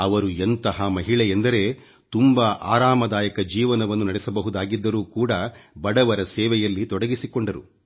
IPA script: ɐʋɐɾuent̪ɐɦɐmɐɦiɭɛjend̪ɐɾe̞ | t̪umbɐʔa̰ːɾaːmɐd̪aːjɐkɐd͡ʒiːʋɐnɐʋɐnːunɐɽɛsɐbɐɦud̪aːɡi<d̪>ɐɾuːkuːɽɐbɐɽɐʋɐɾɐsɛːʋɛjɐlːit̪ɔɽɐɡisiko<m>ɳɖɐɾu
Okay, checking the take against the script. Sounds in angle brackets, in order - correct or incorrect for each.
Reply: incorrect, incorrect

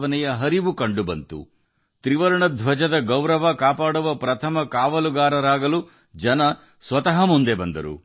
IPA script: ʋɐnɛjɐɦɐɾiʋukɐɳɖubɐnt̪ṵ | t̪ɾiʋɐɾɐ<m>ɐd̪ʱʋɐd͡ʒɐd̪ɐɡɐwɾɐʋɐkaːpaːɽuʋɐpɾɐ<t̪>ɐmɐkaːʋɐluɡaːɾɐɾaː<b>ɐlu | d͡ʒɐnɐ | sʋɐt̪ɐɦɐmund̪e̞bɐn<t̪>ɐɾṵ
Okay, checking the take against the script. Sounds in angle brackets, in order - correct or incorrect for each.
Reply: incorrect, incorrect, incorrect, incorrect

